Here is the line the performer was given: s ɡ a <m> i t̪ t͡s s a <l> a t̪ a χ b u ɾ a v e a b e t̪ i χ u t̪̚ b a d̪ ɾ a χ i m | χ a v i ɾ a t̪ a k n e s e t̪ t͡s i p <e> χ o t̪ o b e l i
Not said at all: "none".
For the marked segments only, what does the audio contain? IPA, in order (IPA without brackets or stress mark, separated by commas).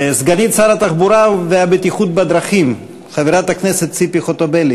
n, ɾ, i